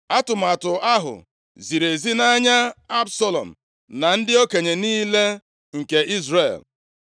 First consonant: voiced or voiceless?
voiceless